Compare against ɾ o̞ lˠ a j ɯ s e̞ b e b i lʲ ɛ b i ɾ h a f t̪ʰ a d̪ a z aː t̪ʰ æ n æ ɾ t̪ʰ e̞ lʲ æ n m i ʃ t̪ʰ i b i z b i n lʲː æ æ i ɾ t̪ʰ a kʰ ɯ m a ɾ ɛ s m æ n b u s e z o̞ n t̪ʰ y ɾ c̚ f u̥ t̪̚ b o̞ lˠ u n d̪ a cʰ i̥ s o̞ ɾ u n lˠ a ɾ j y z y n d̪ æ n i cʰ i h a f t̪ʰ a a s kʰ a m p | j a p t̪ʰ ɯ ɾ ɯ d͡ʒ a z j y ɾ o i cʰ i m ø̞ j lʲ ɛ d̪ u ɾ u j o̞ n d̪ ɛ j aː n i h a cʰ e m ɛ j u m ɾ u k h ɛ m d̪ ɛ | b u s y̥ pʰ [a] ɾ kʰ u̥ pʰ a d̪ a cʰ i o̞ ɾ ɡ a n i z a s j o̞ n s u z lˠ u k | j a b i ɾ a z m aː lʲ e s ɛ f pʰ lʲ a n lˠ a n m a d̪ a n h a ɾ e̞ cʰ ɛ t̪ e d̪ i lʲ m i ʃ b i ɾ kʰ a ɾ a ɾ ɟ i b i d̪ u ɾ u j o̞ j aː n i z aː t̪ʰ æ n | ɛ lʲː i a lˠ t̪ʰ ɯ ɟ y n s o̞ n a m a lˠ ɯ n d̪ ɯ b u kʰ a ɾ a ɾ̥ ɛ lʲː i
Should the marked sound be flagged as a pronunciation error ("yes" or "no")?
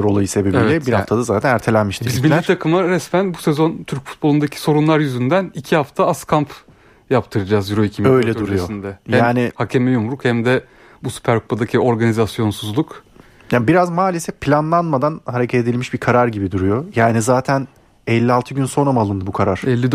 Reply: yes